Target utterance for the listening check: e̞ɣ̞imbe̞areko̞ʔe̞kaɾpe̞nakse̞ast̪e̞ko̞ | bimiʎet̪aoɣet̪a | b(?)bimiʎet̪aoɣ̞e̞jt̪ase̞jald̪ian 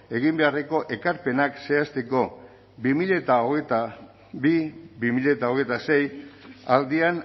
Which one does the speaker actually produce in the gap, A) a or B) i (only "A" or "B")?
B